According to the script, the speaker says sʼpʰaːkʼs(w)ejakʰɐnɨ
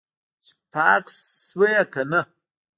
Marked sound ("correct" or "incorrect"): correct